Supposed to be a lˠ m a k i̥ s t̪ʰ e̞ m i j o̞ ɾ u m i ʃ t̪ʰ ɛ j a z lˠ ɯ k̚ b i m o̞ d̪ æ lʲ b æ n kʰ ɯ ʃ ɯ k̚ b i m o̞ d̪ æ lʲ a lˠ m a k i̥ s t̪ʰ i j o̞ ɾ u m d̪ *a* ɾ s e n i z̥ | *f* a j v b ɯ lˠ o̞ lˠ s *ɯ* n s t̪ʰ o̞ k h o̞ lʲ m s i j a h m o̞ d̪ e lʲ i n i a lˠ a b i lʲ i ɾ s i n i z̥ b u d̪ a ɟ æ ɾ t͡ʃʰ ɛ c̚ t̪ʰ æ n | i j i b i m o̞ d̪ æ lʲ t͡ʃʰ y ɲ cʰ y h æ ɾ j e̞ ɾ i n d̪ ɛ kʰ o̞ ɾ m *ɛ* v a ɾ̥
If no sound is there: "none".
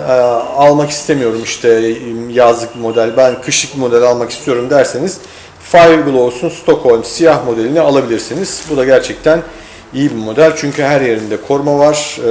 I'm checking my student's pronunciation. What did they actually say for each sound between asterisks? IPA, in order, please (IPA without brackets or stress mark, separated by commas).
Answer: æ, f, u, a